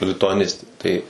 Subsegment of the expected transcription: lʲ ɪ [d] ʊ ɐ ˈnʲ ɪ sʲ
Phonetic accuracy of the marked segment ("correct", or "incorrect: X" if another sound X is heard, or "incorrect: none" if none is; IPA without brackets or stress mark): incorrect: t